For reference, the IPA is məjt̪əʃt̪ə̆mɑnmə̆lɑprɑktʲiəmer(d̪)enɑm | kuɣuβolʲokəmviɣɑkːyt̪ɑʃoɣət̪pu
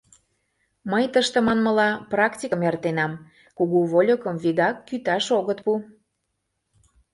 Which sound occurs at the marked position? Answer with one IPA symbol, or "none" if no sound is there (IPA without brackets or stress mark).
t̪